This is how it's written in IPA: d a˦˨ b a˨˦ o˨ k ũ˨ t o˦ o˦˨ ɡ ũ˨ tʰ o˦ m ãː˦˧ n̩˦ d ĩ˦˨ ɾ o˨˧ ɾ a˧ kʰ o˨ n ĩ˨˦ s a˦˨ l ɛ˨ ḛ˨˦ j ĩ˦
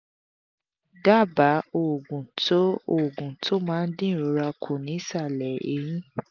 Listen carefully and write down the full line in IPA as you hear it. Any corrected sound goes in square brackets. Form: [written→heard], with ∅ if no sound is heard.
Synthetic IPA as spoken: d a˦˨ b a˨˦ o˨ [k→ɡ] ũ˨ t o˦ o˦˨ ɡ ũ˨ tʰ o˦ m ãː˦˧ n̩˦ d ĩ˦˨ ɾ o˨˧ ɾ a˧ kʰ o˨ n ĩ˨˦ s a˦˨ l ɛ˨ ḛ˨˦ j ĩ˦